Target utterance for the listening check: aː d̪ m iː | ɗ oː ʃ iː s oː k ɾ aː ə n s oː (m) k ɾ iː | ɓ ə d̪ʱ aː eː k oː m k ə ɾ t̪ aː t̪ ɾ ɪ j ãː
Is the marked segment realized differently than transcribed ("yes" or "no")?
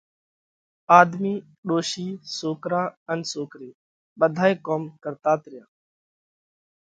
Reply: yes